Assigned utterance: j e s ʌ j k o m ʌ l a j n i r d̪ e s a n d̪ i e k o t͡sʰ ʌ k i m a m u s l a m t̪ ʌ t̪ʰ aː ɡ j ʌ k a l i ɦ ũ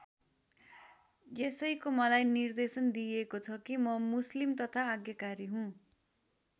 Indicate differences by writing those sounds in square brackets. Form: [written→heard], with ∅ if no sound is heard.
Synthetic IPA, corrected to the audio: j e s ʌ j k o m ʌ l a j n i r d̪ e s [a→ʌ] n d̪ i e k o t͡sʰ ʌ k i m [a→ʌ] m u s l [a→i] m t̪ ʌ t̪ʰ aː ɡ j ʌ k a [l→ɾ] i ɦ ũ